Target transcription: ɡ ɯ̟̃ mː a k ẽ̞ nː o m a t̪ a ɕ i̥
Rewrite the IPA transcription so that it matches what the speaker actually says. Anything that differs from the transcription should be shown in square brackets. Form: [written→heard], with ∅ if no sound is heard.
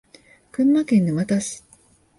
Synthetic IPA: [ɡ→k] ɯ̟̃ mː a k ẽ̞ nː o m a t̪ a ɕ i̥